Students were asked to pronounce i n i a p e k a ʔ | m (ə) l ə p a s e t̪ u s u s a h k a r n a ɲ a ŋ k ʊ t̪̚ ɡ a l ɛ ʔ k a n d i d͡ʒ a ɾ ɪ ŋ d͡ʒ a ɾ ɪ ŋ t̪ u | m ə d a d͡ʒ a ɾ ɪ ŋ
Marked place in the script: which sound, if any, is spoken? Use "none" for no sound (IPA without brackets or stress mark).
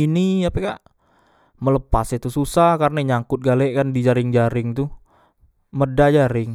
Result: ə